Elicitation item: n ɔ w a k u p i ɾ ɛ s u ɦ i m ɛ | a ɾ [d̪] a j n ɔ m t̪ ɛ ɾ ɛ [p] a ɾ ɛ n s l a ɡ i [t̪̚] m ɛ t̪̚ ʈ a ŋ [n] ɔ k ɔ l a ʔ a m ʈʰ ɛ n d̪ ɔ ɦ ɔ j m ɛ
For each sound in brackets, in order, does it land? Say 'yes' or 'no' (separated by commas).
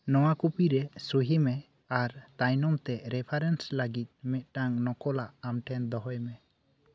no, no, yes, yes